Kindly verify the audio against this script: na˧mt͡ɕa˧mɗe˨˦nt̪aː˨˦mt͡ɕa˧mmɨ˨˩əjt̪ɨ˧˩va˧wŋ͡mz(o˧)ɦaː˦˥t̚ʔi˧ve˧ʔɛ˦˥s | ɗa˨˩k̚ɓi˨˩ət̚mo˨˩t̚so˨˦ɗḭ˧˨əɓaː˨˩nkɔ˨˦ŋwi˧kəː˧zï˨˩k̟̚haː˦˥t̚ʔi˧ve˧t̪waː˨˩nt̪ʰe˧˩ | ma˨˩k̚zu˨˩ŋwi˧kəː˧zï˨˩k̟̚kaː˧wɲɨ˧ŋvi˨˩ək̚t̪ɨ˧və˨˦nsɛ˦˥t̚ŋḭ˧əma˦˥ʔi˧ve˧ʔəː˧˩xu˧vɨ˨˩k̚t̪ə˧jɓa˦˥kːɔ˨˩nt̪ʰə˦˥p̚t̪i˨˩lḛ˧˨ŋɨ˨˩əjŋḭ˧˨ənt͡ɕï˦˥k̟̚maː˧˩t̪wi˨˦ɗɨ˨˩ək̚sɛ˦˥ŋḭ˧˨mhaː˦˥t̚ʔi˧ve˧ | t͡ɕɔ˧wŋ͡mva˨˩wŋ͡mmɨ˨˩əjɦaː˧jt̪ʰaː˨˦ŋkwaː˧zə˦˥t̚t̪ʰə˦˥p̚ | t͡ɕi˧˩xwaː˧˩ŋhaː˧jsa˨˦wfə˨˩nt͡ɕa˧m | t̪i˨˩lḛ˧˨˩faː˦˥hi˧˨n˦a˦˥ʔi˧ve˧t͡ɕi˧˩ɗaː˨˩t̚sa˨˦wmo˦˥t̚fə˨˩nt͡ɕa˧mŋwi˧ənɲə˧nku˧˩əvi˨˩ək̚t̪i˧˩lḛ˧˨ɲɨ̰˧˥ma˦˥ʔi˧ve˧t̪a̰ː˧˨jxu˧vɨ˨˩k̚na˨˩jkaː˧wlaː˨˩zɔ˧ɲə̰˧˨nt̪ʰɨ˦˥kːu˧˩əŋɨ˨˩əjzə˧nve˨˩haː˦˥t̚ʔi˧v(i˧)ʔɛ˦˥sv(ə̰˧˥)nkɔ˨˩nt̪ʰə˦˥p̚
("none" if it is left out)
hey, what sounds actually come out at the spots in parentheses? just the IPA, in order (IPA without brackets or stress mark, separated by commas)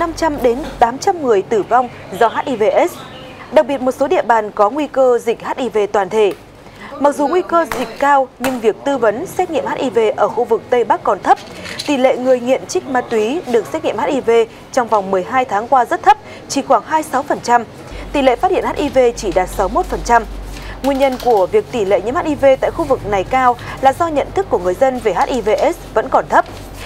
ɔ˧, e˧, ə̰˧˥